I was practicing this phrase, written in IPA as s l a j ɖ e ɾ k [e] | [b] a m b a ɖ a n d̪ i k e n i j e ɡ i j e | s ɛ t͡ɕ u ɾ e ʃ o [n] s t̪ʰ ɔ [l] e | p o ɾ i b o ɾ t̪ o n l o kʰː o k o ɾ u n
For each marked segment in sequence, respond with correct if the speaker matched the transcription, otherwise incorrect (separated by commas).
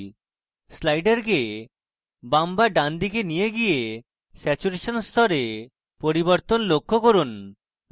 correct, correct, correct, incorrect